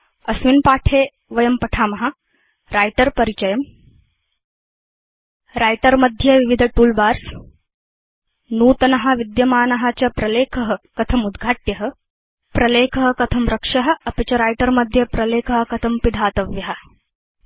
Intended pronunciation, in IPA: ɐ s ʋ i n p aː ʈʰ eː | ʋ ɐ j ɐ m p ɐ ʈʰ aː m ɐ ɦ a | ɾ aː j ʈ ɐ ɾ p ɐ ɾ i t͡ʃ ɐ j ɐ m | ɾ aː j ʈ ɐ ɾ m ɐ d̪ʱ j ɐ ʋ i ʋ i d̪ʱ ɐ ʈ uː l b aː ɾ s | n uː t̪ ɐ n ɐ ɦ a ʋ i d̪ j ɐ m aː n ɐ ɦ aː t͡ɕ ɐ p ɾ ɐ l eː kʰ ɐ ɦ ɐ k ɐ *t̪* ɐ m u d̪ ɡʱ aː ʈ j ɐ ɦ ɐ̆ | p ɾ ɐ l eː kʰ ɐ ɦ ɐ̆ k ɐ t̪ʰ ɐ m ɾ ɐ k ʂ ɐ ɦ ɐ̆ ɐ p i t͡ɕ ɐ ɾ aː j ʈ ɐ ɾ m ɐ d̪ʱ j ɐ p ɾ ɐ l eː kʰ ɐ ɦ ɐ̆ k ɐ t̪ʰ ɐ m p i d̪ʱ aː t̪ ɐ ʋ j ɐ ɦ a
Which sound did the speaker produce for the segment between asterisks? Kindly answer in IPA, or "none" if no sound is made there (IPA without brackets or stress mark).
t̪ʰ